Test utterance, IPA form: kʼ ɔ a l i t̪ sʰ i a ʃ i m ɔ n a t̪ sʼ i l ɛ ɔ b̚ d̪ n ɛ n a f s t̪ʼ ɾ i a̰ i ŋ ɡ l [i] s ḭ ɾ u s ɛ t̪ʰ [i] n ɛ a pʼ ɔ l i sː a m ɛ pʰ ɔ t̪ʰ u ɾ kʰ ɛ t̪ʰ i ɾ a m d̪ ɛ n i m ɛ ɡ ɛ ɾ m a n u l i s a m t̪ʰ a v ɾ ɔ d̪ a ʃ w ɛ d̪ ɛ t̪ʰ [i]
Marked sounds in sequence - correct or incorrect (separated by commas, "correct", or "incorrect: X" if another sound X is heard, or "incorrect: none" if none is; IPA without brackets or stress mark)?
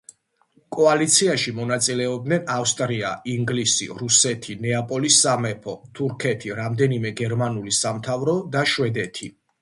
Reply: correct, correct, correct